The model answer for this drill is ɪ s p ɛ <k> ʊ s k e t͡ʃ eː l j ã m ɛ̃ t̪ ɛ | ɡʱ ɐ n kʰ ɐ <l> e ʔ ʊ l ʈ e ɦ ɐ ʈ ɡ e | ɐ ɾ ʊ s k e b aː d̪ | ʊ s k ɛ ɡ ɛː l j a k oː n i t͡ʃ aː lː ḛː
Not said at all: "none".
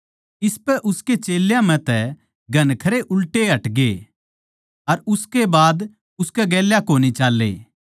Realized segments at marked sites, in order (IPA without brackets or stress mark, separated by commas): ʔ, ɾ